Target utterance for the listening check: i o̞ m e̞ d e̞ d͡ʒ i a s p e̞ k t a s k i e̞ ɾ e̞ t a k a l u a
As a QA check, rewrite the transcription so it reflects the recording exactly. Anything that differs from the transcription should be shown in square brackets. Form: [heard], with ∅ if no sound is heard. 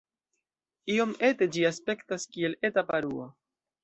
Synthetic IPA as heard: i o̞ m e̞ [t] e̞ d͡ʒ i a s p e̞ k t a s k i e̞ [l] e̞ t a [p] a [ɾ] u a